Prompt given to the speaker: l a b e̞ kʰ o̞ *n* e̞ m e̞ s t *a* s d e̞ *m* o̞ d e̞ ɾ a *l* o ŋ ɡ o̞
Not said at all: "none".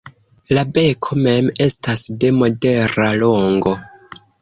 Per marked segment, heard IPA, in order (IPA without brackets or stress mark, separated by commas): m, a, m, l